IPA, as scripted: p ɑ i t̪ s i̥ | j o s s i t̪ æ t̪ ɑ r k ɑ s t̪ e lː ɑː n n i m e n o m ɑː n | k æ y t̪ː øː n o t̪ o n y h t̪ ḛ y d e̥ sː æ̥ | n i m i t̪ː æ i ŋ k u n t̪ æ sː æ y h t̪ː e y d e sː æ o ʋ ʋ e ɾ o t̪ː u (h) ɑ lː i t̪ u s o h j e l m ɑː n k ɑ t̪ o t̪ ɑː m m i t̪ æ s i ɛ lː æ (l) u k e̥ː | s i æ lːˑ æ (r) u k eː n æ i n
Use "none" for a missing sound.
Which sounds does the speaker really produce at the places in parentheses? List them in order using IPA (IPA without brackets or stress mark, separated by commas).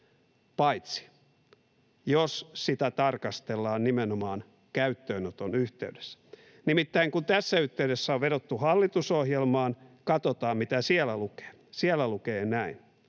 h, l, l